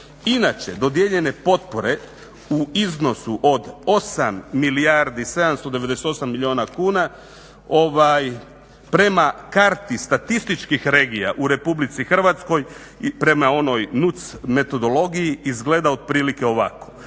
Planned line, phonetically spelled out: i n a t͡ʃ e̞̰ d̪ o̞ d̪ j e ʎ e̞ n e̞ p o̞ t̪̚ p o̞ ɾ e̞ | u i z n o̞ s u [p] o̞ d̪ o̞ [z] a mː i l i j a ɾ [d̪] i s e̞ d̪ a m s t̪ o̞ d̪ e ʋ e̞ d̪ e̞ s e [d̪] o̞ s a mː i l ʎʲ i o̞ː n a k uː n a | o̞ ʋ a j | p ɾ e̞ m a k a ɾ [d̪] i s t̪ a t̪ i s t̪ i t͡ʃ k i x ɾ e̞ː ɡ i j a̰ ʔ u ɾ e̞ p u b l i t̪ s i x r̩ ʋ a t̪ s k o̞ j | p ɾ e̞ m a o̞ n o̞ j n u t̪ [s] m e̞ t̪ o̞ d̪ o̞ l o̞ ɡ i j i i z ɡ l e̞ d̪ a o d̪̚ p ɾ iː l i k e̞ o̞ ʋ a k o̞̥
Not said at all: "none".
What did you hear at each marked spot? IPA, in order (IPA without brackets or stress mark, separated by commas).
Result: ʔ, s, d̪, t̪, t̪, s